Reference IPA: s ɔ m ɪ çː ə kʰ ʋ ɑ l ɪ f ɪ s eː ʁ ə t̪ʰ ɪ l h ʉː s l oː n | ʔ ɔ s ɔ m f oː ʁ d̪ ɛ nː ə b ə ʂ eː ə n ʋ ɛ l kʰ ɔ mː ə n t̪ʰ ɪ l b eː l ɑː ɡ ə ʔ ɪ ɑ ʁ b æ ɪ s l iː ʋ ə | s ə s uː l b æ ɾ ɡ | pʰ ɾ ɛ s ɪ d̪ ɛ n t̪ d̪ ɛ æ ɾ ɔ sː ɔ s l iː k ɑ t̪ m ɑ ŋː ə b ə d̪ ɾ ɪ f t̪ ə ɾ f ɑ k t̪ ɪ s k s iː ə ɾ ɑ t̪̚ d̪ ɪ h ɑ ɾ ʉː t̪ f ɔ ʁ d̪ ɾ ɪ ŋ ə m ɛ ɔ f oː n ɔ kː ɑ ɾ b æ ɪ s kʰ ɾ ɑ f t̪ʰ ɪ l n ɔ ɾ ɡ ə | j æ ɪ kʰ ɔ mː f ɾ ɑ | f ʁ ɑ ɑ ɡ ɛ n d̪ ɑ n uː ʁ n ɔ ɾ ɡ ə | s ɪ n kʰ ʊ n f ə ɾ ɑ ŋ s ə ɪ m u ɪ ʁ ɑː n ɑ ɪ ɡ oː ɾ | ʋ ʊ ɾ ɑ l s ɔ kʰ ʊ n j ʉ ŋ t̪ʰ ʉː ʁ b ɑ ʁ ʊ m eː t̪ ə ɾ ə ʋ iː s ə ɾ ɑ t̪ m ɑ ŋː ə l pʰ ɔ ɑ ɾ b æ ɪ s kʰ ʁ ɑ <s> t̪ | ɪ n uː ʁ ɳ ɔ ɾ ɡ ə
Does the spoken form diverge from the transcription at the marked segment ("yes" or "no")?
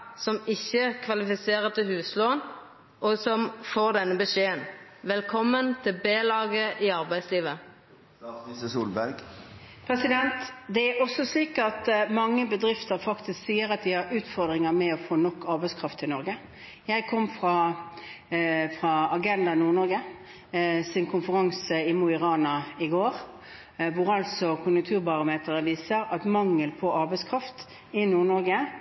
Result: yes